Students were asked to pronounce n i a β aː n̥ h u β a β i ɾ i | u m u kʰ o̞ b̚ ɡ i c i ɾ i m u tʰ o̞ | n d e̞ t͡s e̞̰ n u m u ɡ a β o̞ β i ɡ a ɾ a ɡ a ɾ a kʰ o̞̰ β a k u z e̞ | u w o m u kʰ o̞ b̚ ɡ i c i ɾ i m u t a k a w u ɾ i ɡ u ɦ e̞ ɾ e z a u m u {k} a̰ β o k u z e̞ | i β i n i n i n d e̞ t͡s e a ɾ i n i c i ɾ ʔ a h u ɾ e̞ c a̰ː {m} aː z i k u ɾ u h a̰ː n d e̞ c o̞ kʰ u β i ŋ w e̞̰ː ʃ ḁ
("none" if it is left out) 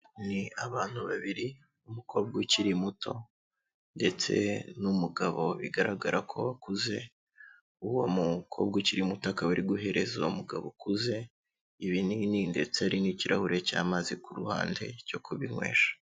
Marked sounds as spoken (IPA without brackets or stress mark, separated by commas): ɡ, m